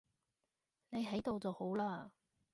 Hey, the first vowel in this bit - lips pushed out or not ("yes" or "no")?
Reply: no